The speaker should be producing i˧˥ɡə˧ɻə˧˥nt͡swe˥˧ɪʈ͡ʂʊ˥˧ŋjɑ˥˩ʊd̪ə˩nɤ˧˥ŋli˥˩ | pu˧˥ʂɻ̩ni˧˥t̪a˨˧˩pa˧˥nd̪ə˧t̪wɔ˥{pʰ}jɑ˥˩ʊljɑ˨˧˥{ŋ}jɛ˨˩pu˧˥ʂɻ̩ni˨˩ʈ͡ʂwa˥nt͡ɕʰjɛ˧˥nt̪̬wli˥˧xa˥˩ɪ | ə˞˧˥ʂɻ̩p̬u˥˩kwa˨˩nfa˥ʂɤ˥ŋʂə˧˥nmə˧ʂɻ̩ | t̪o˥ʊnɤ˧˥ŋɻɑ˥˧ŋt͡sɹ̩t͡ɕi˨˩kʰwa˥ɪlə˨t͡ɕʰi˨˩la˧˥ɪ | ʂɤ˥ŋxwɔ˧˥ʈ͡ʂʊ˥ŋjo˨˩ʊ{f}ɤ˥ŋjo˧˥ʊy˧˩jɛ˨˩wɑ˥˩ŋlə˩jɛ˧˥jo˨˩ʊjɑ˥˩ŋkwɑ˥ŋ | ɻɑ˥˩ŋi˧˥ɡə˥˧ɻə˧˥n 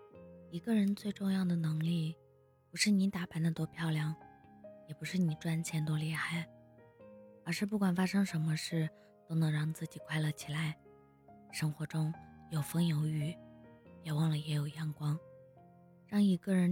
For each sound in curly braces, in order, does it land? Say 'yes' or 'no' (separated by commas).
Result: yes, yes, yes